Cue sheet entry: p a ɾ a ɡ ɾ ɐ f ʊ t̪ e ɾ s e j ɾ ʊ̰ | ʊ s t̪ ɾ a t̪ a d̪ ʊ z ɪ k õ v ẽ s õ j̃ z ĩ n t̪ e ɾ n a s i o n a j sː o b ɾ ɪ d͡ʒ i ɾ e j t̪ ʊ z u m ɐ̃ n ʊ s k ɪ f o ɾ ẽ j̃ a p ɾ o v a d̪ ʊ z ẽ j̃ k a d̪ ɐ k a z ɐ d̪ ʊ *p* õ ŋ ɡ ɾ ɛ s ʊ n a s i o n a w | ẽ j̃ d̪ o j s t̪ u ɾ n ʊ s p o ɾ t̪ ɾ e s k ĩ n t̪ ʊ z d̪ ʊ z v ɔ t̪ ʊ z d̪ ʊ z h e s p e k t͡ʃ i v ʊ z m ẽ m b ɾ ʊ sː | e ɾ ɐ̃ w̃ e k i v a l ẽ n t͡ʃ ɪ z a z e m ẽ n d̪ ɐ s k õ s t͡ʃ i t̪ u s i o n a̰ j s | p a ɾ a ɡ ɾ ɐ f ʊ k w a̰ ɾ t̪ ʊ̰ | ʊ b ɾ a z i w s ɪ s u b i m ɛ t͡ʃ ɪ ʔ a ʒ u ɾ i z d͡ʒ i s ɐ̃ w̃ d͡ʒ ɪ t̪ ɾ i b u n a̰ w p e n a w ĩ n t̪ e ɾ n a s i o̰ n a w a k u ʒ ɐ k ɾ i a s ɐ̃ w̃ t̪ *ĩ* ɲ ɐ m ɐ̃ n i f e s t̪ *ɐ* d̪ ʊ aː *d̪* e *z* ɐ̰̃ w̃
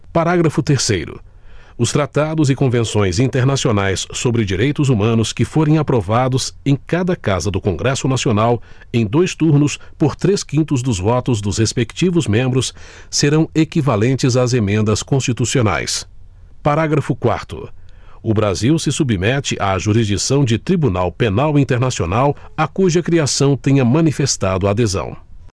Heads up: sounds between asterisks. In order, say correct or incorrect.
incorrect, incorrect, incorrect, correct, correct

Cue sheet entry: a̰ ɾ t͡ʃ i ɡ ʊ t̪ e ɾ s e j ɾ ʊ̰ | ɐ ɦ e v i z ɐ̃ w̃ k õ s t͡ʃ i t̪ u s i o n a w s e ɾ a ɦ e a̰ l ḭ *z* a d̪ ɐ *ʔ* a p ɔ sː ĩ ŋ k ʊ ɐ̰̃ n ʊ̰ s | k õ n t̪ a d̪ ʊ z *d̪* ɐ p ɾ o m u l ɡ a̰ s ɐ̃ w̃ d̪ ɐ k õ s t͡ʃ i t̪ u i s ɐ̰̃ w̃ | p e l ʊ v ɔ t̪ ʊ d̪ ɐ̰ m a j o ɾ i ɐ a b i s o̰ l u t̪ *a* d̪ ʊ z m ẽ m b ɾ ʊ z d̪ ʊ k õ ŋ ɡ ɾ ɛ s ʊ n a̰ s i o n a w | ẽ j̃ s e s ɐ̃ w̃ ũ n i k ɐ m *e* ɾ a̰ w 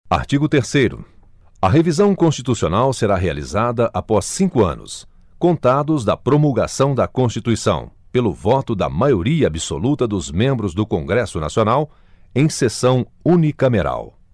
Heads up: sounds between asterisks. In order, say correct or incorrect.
correct, correct, correct, incorrect, correct

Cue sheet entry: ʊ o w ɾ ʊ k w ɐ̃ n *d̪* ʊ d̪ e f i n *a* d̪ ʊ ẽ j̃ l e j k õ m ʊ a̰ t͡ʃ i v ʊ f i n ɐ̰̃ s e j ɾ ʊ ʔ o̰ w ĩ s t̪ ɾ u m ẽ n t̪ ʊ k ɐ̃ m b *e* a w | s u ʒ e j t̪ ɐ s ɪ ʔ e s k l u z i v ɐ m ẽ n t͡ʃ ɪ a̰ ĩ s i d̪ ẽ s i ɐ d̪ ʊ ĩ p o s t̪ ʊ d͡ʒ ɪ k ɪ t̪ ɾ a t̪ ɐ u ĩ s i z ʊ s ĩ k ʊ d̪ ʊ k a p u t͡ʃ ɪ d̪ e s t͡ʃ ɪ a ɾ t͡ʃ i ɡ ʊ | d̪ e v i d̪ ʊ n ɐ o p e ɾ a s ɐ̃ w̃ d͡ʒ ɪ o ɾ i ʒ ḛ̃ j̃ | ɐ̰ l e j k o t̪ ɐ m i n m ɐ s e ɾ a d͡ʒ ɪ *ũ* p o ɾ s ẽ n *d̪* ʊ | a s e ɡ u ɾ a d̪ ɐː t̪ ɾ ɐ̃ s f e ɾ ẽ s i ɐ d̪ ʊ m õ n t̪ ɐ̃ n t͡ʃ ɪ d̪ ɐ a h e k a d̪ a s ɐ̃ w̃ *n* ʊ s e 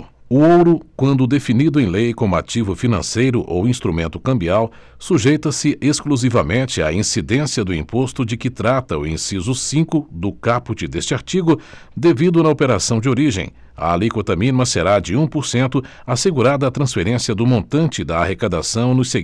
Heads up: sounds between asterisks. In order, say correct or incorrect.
correct, incorrect, incorrect, correct, incorrect, correct

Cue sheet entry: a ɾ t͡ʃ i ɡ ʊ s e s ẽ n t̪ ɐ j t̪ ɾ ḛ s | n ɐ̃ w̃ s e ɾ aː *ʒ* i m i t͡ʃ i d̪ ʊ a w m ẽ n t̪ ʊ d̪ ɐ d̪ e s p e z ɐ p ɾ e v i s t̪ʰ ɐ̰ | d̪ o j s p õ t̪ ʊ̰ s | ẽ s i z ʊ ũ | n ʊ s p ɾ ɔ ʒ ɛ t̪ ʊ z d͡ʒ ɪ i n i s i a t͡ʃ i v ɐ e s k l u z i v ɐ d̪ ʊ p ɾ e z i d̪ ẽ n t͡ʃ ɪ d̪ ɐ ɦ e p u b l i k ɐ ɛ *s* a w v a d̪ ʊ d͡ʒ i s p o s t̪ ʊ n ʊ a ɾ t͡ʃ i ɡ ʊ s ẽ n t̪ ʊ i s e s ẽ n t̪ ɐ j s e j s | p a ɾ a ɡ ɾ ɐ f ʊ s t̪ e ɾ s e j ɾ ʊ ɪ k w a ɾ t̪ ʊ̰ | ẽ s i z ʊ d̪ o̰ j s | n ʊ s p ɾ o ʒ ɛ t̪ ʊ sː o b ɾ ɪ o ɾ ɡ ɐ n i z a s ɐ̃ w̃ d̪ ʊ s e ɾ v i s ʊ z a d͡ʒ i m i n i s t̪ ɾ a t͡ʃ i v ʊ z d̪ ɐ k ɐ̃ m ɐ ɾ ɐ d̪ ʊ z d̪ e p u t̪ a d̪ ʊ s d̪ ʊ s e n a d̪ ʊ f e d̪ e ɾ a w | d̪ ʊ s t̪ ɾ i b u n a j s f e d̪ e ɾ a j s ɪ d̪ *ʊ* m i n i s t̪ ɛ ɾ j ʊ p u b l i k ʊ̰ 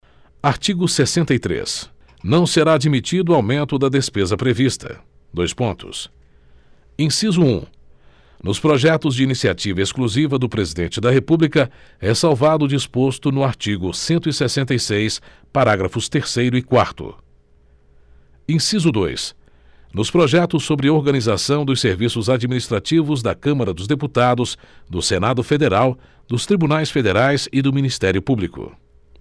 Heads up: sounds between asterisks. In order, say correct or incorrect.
incorrect, correct, correct

